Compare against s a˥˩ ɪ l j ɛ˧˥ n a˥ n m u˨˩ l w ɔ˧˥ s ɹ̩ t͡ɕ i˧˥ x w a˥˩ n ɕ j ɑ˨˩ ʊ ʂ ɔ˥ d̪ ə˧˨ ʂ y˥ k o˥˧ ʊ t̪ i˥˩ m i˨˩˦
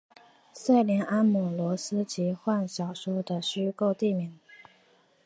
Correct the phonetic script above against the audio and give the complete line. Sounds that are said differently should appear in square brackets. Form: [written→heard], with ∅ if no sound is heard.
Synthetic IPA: s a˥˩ ɪ l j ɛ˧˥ n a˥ n m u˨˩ l w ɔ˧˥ s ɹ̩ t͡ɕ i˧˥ x w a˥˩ n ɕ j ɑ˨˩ ʊ ʂ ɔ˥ d̪ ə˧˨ [ʂ→ɕ] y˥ k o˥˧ ʊ t̪ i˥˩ m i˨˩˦